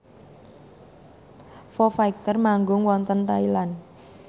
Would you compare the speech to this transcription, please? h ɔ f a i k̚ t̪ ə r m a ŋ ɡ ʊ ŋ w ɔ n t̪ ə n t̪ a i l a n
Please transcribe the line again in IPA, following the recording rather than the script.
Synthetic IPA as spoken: f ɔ f a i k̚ t̪ ə r m a ŋ ɡ ʊ ŋ w ɔ n t̪ ə n t̪ a i l a n